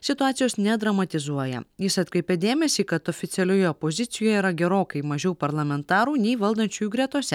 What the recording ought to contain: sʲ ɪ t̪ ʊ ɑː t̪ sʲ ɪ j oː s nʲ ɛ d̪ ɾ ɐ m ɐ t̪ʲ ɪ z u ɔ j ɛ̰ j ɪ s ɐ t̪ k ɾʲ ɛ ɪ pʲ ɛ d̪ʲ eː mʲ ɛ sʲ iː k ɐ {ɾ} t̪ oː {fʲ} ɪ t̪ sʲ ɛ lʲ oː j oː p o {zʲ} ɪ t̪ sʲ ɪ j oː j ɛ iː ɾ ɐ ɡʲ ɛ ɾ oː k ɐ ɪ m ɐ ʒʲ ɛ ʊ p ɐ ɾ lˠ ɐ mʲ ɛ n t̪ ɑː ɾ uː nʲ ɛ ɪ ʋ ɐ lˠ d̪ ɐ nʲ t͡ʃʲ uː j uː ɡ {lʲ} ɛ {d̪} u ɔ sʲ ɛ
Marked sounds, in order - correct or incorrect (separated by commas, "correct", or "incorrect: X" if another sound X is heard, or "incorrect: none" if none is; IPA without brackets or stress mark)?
incorrect: none, correct, correct, incorrect: ɾʲ, incorrect: t̪